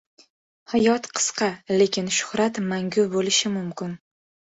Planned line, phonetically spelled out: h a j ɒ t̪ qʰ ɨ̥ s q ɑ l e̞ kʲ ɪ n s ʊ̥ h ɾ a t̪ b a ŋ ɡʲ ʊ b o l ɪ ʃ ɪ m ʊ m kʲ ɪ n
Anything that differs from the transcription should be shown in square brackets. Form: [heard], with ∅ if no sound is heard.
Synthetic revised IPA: h a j ɒ t̪ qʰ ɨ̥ s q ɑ l e̞ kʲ ɪ n [ʃ] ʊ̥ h ɾ a t̪ [m] a ŋ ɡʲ ʊ b o l ɪ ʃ ɪ m ʊ m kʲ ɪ n